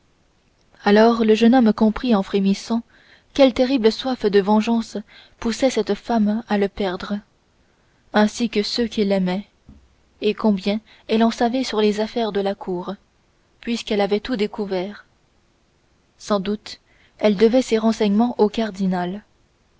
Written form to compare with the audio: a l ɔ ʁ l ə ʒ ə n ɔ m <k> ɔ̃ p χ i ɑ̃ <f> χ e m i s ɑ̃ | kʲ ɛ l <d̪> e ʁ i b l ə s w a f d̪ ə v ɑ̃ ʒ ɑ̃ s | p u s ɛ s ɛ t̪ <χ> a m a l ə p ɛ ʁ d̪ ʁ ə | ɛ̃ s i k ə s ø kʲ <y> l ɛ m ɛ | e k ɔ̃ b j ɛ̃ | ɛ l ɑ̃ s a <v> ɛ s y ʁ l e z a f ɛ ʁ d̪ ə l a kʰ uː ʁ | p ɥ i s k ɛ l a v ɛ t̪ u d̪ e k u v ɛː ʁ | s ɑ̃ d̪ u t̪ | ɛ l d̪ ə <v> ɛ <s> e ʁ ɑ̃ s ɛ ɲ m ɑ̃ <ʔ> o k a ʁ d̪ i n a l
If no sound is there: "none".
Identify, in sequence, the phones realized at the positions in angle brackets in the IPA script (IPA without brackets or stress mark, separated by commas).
k, f, t̪, f, i, v, v, s, ʔ